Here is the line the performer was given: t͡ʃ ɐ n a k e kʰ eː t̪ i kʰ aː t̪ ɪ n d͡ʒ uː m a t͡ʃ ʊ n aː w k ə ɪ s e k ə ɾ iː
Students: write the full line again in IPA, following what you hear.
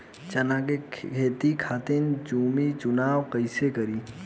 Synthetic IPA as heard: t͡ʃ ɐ n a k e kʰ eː t̪ i kʰ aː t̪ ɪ n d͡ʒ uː m i t͡ʃ ʊ n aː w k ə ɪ s e k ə ɾ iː